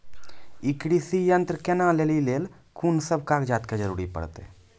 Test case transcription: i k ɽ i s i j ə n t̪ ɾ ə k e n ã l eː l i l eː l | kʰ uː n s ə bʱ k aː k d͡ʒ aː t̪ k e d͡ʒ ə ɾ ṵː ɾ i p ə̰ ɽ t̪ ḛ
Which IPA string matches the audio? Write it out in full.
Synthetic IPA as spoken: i k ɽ i s i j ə n t̪ ɾ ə k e n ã l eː l i l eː l | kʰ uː n s ə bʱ k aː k d͡ʒ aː t̪ k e d͡ʒ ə ɾ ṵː ɾ i p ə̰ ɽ t̪ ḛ